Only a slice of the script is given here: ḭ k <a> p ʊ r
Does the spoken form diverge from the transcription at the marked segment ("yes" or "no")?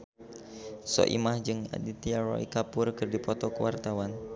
no